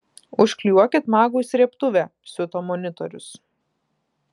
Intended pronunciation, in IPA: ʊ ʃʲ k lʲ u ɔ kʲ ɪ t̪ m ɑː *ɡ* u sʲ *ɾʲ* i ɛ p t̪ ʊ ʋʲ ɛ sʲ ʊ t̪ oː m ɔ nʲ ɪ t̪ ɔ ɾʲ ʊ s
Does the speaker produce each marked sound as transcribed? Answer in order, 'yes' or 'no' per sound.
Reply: yes, yes

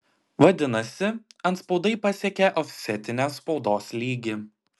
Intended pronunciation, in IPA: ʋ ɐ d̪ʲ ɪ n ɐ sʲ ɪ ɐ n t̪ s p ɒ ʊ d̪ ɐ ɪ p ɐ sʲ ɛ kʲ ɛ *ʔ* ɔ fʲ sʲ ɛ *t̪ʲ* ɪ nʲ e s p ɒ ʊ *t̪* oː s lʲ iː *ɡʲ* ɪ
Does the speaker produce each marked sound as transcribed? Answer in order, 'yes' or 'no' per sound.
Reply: yes, yes, no, yes

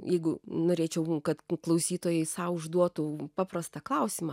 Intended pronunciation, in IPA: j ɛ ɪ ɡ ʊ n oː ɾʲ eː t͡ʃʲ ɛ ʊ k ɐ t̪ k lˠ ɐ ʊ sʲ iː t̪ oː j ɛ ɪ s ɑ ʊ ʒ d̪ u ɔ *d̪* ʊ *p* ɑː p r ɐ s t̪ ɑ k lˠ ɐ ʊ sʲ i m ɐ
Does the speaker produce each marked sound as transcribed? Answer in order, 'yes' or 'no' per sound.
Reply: no, yes

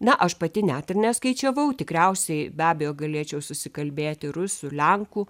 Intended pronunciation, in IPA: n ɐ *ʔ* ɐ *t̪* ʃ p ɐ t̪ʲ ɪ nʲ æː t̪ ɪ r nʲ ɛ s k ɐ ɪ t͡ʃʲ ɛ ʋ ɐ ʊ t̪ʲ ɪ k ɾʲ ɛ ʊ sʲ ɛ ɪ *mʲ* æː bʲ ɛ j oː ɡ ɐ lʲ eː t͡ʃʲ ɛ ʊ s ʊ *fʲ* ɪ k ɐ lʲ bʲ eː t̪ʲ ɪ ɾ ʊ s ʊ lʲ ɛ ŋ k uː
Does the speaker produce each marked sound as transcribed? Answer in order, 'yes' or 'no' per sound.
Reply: yes, no, no, no

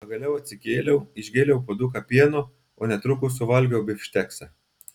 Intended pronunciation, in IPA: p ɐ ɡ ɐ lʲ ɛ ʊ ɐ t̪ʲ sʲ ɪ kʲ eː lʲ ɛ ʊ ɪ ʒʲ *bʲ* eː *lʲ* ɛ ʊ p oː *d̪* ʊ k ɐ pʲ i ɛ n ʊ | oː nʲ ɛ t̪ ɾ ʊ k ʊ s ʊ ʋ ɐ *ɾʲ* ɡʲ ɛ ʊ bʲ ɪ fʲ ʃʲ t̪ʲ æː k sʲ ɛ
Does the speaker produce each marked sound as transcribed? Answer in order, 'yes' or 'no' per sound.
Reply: no, yes, yes, no

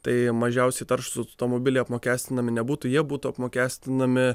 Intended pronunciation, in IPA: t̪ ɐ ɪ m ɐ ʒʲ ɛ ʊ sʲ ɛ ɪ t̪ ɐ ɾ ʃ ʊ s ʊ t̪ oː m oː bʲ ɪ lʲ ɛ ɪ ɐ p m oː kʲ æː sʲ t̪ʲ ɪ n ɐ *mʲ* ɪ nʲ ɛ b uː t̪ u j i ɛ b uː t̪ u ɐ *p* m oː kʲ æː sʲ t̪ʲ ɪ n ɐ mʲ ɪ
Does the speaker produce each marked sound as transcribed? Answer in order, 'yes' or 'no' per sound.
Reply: yes, yes

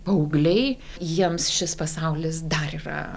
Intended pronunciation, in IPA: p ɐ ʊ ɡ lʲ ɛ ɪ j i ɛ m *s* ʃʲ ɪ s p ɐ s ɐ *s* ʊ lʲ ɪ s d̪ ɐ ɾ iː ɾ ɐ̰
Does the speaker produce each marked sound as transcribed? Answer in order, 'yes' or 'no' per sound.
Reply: yes, no

